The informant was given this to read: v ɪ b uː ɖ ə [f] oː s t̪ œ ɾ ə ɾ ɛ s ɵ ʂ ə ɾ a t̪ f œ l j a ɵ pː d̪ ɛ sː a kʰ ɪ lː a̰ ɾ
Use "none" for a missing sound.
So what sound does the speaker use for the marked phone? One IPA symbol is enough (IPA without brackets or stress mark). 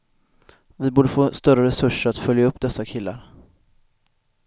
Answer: f